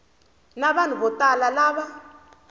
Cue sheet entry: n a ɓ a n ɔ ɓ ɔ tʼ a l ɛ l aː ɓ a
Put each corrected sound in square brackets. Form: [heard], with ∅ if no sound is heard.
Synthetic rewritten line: n a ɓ a n [u] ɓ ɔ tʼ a l [a] l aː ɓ a